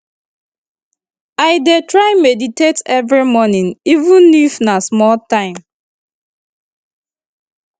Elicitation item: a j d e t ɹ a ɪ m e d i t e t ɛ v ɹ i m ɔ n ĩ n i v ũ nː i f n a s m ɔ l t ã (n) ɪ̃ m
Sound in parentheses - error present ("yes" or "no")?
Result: yes